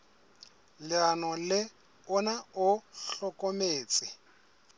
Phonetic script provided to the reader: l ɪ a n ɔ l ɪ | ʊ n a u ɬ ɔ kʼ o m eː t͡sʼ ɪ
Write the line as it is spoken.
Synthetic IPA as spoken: l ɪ a n ɔ l ɪ | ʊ n a ʊ ɬ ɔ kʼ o m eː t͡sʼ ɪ